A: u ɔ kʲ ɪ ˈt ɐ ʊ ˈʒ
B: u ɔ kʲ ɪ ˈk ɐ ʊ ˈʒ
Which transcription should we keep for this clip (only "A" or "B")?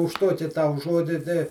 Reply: A